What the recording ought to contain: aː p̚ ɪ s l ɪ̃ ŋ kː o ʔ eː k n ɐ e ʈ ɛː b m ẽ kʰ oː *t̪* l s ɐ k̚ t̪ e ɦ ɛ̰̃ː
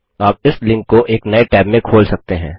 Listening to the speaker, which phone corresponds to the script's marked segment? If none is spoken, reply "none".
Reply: none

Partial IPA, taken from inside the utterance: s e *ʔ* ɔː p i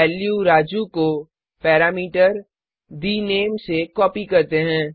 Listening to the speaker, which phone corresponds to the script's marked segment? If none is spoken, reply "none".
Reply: k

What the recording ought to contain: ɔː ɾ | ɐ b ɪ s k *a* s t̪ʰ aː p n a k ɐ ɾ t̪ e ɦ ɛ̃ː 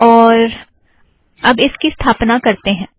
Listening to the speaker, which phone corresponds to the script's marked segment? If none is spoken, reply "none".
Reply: i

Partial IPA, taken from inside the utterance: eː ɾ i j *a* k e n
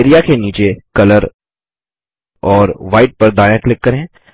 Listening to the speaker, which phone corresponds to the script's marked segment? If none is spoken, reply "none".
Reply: a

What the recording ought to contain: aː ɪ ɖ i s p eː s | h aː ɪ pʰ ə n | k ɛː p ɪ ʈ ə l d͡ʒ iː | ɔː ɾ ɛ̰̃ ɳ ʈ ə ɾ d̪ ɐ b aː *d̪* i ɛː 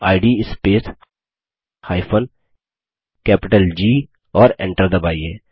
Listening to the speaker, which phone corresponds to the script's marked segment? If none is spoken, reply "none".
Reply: none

